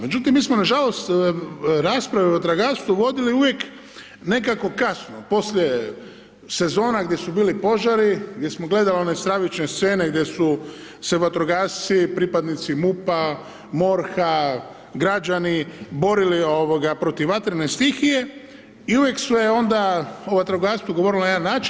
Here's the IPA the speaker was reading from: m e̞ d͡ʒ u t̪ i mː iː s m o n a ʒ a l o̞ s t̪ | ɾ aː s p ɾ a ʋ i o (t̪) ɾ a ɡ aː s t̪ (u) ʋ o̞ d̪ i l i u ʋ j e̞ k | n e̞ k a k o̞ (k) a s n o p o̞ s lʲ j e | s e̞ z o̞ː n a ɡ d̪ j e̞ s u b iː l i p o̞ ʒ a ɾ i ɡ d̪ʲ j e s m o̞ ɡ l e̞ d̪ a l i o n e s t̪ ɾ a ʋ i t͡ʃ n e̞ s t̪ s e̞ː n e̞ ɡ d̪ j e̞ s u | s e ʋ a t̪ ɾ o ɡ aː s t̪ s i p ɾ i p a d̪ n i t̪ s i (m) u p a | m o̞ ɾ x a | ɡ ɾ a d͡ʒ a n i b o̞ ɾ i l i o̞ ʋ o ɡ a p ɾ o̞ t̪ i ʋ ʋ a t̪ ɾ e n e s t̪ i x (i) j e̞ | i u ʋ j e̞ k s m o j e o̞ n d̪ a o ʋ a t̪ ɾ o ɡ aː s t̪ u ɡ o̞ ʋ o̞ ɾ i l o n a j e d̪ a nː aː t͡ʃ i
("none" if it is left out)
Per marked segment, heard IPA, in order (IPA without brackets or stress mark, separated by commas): t̪, u, k, m, i